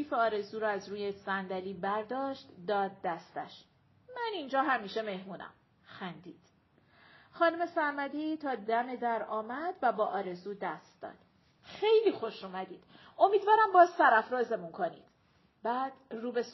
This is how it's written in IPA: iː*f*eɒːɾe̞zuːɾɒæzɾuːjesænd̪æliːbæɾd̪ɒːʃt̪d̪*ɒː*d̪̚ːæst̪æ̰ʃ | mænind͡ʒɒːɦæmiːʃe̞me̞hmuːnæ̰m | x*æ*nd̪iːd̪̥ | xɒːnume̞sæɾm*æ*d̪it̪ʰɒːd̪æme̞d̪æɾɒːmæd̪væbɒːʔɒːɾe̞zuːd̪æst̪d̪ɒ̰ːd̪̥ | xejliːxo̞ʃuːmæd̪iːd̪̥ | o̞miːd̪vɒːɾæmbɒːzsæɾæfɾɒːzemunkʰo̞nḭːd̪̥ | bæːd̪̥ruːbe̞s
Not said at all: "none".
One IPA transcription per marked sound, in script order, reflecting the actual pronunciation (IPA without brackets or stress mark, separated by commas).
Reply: f, ɒː, æ, æ